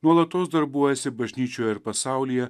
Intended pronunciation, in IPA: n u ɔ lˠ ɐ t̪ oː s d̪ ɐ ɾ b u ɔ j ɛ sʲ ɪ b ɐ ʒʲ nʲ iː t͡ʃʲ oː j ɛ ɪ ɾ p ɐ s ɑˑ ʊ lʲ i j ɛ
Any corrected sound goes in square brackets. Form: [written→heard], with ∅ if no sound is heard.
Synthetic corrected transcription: n u ɔ lˠ ɐ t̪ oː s d̪ ɐ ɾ b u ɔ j ɛ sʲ ɪ b ɐ ʒʲ nʲ iː t͡ʃʲ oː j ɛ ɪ ɾ p ɐ s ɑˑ ʊ lʲ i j ɛ